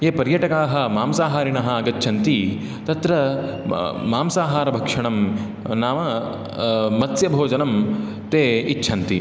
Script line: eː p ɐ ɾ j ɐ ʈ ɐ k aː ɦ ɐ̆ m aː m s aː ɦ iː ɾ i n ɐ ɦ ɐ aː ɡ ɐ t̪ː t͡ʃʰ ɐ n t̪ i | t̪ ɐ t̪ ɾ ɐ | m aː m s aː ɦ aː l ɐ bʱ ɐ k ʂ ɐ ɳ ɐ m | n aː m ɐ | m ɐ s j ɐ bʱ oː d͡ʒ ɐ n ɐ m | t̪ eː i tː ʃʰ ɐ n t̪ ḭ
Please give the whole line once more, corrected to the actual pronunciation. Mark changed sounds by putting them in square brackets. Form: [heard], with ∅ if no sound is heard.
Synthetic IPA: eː p ɐ ɾ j ɐ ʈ ɐ k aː ɦ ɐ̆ m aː m s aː ɦ [aː] ɾ i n ɐ ɦ ɐ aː ɡ ɐ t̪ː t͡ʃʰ ɐ n t̪ i | t̪ ɐ t̪ ɾ ɐ | m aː m s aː ɦ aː [ɾ] ɐ bʱ ɐ k ʂ ɐ ɳ ɐ m | n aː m ɐ | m ɐ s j ɐ bʱ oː d͡ʒ ɐ n ɐ m | t̪ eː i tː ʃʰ ɐ n t̪ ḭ